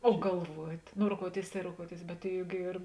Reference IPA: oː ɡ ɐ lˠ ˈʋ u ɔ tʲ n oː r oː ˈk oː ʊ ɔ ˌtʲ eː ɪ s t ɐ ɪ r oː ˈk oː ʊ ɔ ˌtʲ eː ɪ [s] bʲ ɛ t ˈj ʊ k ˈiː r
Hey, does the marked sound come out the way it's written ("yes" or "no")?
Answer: yes